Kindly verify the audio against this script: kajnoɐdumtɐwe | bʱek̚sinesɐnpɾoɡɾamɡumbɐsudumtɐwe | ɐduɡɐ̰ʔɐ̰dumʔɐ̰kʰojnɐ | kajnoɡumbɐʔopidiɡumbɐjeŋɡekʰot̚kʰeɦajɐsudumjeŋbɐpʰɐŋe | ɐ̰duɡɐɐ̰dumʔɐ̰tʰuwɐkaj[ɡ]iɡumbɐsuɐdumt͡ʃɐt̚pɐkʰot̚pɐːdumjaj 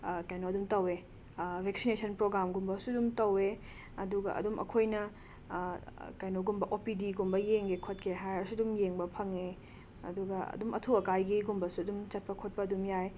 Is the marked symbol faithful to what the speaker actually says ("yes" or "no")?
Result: yes